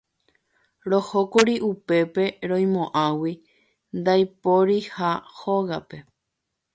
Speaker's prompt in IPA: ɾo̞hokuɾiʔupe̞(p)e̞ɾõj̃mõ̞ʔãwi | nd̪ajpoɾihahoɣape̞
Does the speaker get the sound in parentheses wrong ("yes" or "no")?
no